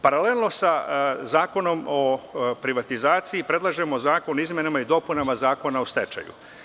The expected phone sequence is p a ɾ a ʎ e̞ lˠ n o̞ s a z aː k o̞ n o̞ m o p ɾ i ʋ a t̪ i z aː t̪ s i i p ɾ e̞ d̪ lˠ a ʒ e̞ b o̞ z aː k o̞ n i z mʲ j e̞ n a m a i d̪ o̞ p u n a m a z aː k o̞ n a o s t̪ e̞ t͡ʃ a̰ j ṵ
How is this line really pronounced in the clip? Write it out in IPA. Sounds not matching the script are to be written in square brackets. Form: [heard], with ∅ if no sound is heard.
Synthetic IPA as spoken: p a ɾ a [l] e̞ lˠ n o̞ s a z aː k o̞ n o̞ m o p ɾ i ʋ a t̪ i z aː t̪ s i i p ɾ e̞ d̪ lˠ a ʒ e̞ [m] o̞ z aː k o̞ n i z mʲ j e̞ n a m a i d̪ o̞ p u n a m a z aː k o̞ n a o s t̪ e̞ t͡ʃ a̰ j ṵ